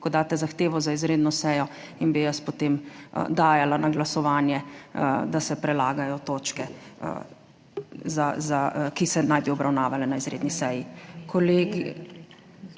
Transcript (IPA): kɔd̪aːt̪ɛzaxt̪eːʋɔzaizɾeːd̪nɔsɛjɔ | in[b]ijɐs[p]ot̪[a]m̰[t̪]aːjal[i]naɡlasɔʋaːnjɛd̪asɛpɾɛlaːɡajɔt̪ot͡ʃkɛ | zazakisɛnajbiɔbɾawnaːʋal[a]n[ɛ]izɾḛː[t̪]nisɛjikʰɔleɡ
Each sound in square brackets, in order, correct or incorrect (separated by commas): correct, correct, incorrect, incorrect, incorrect, incorrect, incorrect, incorrect